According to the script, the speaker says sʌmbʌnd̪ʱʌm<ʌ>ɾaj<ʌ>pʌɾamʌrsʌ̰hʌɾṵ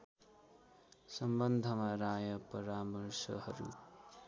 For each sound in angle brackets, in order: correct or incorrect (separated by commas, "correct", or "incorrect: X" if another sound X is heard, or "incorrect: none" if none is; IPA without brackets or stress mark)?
incorrect: a, correct